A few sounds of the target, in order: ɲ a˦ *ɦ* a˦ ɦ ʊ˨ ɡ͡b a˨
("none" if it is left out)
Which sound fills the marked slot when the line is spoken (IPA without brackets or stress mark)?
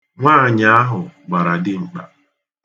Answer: none